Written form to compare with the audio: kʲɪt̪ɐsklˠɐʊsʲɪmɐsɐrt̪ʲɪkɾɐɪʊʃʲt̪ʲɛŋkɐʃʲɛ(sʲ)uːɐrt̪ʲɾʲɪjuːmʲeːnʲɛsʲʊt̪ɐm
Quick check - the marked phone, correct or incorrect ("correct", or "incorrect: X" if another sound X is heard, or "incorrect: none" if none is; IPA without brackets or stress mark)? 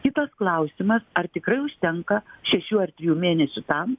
incorrect: ʃʲ